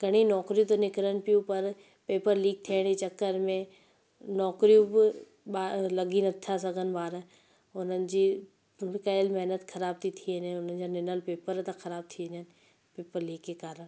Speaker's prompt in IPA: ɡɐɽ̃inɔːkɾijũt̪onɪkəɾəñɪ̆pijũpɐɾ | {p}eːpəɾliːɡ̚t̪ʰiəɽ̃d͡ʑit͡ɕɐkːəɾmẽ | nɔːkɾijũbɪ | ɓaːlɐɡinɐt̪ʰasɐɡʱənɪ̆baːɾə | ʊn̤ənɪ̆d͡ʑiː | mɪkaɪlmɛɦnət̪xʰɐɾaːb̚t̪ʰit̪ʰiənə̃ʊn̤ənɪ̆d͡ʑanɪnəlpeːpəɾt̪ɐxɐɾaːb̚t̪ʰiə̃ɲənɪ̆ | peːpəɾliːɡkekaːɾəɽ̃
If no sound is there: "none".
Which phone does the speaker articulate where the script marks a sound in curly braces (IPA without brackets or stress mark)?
p